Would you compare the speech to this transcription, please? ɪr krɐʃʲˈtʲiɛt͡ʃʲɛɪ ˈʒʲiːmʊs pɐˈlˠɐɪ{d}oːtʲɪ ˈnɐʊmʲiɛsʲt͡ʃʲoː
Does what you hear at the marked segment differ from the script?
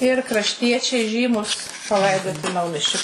no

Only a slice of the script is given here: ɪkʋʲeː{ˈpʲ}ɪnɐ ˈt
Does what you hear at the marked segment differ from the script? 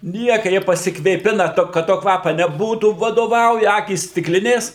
no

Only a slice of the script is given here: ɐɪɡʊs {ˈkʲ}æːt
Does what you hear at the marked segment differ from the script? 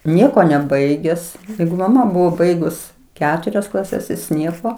no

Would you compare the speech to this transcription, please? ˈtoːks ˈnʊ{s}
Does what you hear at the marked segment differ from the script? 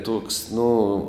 yes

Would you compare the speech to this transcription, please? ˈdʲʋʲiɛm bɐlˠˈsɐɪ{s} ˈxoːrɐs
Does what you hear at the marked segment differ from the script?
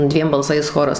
no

